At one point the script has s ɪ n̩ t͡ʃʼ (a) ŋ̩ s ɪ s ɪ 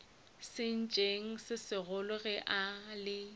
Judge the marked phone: incorrect: e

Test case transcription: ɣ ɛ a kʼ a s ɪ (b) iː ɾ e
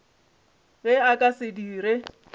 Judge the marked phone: incorrect: d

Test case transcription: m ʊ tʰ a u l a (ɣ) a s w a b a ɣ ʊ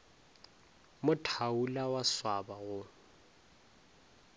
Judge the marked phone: incorrect: w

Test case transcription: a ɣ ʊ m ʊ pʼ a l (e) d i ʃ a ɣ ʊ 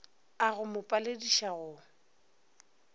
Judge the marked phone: correct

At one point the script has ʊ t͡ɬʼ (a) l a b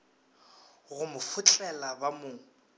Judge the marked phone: incorrect: ɛ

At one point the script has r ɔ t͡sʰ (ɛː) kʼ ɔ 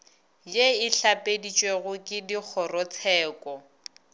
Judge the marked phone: correct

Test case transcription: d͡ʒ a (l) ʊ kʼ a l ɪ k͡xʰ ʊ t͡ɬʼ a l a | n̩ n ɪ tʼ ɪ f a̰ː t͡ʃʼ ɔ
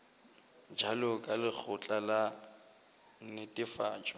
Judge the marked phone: correct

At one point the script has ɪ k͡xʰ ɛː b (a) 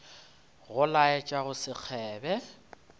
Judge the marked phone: incorrect: ɛ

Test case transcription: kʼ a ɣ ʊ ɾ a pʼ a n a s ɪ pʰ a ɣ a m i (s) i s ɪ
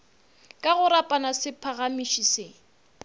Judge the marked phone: incorrect: ʃ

